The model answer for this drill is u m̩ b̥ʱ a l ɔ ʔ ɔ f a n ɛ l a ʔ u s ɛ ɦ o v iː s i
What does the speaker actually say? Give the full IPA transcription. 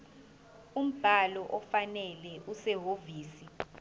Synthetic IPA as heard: u m̩ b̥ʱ a l ɔ ʔ ɔ f a n ɛ l ɛ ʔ u s ɛ ɦ o v iː s i